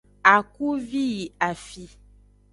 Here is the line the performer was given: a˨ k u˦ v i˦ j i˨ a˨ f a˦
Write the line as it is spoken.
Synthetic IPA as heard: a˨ k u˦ v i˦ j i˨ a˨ f i˦